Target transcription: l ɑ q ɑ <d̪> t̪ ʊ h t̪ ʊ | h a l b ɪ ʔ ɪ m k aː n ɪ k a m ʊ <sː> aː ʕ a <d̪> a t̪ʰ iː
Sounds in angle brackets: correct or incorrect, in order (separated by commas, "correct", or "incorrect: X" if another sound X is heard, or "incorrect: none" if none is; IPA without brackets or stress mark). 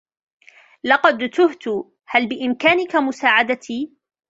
correct, incorrect: s, correct